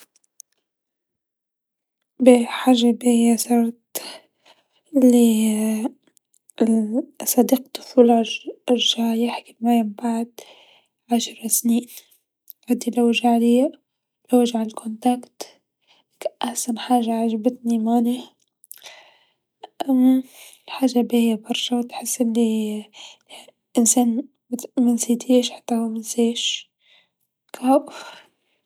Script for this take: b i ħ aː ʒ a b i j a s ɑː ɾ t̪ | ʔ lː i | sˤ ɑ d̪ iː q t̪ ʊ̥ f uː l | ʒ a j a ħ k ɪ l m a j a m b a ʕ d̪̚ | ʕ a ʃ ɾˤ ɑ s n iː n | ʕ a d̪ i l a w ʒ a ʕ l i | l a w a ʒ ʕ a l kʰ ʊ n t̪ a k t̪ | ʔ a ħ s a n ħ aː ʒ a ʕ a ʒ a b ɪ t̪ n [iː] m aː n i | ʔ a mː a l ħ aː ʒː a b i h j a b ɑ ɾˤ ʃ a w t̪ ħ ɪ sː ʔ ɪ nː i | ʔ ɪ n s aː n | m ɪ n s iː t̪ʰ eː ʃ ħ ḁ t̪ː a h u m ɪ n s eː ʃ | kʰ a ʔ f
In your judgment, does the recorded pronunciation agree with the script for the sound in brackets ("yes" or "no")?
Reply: no